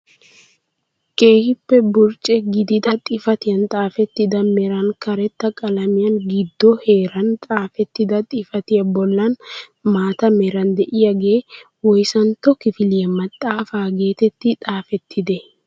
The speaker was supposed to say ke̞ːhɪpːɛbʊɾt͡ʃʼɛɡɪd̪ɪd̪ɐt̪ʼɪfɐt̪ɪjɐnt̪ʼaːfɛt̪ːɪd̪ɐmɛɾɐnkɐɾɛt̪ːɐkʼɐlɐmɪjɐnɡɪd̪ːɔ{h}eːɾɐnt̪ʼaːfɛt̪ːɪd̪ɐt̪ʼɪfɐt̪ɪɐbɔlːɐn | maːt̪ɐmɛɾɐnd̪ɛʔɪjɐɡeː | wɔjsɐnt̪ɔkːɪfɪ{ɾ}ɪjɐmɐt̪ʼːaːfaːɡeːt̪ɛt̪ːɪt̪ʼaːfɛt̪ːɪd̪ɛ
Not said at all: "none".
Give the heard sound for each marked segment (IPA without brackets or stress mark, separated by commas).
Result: h, l